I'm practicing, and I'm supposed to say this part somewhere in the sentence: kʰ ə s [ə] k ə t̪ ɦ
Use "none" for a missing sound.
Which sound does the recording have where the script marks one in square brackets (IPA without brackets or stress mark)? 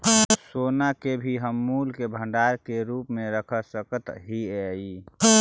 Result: ə